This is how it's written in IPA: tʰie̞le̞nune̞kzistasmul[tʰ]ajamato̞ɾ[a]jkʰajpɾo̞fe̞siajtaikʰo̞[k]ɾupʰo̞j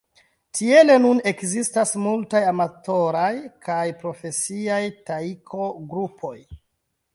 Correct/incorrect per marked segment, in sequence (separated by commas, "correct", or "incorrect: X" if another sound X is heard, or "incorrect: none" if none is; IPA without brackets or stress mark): incorrect: t, correct, incorrect: ɡ